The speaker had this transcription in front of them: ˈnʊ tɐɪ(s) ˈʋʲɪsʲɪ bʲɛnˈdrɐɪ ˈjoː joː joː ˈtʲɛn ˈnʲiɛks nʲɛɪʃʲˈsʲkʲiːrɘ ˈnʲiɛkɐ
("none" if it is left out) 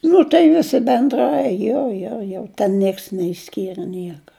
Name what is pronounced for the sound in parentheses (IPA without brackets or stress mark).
none